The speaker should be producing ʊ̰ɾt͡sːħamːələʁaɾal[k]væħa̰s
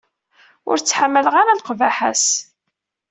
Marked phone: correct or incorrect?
incorrect